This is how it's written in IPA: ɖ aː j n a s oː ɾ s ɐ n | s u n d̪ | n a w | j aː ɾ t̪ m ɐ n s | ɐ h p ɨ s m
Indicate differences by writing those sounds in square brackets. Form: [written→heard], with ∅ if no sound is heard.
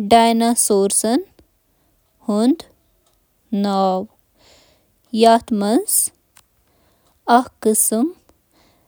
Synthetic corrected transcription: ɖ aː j n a s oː ɾ s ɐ n | [s→h] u n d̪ | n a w | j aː [ɾ→∅] t̪ m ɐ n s | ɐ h [p→k] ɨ s m